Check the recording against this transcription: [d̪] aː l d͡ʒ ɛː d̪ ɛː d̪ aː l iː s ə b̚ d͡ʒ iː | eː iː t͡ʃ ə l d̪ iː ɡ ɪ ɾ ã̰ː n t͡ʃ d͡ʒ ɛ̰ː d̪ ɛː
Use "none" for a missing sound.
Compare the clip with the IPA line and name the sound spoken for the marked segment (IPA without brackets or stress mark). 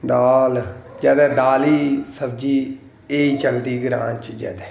d̪